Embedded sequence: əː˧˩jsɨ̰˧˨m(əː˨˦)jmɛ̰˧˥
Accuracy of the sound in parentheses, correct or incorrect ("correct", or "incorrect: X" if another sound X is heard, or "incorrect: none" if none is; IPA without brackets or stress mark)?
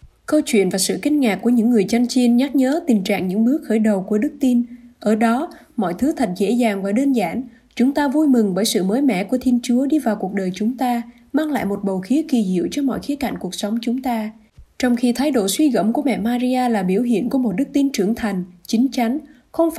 correct